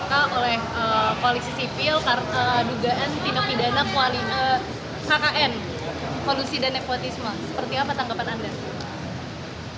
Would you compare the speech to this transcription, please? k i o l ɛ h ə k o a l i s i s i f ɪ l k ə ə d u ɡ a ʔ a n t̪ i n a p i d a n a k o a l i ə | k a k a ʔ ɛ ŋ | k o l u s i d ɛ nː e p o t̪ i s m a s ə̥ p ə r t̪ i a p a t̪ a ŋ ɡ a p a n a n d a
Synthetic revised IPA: k a o l ɛ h ə k o a l i s i s i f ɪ l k a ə d u ɡ a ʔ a n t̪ i n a p i d a n a k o a l i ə | k a k a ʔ ɛ n | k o l u s i d a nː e p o t̪ i s m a s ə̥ p ə r t̪ i a p a t̪ a ŋ ɡ a p a n a n d a